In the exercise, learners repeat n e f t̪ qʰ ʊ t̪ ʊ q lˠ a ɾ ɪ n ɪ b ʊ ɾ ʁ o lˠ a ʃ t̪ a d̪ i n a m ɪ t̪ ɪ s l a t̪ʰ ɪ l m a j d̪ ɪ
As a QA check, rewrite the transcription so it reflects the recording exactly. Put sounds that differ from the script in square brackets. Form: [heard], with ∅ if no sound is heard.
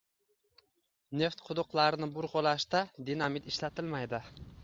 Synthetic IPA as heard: n e f t̪ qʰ ʊ [d̪] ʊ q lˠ a ɾ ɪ n ɪ b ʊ ɾ ʁ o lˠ a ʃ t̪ a d̪ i n a m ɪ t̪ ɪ [ʃ] l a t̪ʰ ɪ l m a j d̪ ɪ